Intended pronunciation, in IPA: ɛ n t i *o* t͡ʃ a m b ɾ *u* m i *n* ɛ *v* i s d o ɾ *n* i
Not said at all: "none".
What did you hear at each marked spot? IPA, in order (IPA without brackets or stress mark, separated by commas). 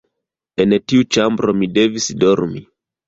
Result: u, o, d, v, m